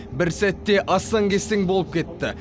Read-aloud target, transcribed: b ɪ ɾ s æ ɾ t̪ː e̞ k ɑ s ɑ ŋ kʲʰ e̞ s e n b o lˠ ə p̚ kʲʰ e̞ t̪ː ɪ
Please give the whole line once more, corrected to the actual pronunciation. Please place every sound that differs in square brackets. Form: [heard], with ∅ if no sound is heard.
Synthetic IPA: b ɪ ɾ s æ [∅] t̪ː e̞ [ʔ] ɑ s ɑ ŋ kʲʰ e̞ s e [ŋ] b o lˠ ə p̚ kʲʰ e̞ t̪ː ɪ

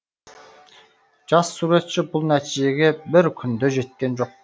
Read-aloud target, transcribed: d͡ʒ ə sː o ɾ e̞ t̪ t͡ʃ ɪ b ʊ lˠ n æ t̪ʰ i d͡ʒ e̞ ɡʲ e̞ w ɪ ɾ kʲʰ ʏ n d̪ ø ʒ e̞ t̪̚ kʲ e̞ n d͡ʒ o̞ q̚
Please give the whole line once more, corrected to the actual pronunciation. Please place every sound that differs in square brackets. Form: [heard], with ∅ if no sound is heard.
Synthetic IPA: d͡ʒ [ɑ] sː [u] ɾ e̞ t̪ t͡ʃ ɪ b ʊ lˠ n æ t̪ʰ i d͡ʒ e̞ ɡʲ e̞ [b] ɪ ɾ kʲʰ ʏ n d̪ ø ʒ e̞ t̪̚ kʲ e̞ n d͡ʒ o̞ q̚

